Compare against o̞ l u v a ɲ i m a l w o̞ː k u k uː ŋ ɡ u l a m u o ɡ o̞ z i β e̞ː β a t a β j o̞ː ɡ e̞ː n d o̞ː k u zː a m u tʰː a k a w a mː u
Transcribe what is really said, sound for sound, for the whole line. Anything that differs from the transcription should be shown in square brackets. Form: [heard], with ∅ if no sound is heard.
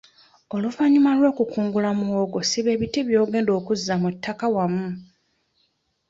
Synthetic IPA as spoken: o̞ l u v a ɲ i m a l w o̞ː k u k uː ŋ ɡ u l a m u o ɡ o̞ [s] i β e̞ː β [i] t [i] β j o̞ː ɡ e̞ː n d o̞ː k u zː a m u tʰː a k a w a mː u